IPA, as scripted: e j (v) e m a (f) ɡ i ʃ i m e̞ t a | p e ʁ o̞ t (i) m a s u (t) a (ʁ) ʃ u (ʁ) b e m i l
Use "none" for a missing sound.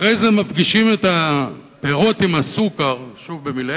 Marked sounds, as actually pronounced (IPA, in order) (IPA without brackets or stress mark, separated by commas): z, f, i, k, ʁ, v